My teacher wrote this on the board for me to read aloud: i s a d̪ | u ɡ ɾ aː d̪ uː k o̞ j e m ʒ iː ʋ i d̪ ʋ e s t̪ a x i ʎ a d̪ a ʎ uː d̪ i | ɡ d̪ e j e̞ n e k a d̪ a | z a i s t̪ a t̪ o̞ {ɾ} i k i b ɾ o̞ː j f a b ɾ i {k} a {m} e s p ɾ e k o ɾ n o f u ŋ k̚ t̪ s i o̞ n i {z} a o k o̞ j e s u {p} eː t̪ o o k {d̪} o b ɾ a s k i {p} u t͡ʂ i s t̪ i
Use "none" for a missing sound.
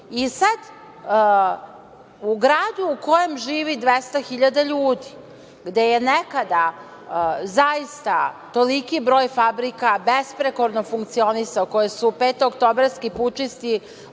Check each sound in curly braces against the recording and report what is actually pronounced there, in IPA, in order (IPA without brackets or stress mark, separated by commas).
l, k, b, s, p, t̪, p